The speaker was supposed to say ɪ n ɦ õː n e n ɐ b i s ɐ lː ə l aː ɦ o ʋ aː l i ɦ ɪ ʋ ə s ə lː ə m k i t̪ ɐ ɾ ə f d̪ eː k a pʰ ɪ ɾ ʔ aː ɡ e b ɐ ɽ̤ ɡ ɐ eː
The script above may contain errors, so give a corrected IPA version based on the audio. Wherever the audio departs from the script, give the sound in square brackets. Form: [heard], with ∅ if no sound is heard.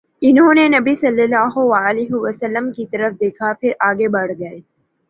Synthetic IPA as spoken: ɪ n ɦ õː n e n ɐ b i s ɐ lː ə l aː ɦ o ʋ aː l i ɦ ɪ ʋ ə s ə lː ə m k i t̪ ɐ ɾ ə f d̪ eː [kʰ] a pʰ ɪ ɾ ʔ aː ɡ e b ɐ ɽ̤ ɡ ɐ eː